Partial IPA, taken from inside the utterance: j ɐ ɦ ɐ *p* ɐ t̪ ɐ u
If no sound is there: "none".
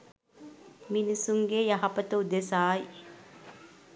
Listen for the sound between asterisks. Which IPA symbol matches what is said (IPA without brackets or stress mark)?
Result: p